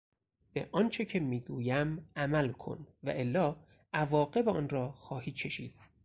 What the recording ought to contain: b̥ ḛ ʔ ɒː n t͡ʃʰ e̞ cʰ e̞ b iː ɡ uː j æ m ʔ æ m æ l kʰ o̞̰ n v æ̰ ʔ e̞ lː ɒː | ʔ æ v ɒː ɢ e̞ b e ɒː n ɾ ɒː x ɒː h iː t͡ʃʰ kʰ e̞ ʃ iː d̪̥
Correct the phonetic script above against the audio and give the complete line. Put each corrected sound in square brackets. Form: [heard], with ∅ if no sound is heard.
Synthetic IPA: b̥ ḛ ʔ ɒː n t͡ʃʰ e̞ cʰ e̞ [m] iː ɡ uː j æ m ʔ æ m æ l kʰ o̞̰ n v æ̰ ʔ e̞ lː ɒː | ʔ æ v ɒː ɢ e̞ b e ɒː n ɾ ɒː x ɒː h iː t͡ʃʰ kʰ e̞ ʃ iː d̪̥